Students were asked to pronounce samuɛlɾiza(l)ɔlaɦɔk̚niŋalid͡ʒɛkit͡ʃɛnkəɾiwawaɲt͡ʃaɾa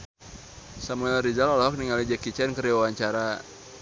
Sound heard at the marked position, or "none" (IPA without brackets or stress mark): l